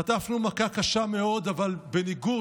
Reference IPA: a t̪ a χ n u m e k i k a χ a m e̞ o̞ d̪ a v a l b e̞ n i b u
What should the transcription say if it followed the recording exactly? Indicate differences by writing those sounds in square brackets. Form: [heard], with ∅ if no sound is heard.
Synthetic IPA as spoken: a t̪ a [f] n u m [a] k [a] k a [ʃ] a m e̞ o̞ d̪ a v a l b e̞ n i [ɡ] u